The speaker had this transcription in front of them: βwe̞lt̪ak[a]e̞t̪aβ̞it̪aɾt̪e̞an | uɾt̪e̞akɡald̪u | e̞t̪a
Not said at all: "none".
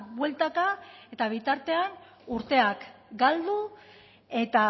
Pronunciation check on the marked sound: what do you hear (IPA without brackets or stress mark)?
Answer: a